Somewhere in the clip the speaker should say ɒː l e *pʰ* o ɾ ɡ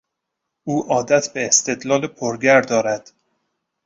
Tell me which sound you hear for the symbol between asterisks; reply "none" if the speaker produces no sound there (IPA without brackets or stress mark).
pʰ